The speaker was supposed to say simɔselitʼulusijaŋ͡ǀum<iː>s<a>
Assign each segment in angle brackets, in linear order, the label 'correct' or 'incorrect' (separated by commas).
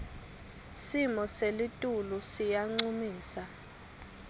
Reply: correct, correct